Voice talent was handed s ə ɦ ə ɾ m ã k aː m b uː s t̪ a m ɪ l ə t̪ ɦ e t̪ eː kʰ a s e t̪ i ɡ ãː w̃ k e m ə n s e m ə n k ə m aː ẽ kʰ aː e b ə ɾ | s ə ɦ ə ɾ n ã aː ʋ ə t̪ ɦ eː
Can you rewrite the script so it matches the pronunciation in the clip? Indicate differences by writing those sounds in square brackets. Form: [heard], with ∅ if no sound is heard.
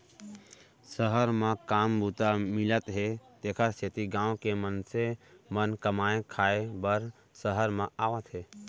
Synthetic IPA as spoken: s ə ɦ ə ɾ m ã k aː m b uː [∅] t̪ a m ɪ l ə t̪ ɦ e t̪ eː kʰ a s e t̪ i ɡ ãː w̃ k e m ə n s e m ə n k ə m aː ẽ kʰ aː e b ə ɾ | s ə ɦ ə ɾ [m] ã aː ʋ ə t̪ ɦ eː